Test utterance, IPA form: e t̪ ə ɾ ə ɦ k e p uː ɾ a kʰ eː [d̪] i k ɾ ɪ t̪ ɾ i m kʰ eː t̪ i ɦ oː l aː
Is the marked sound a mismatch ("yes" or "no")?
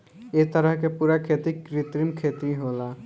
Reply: yes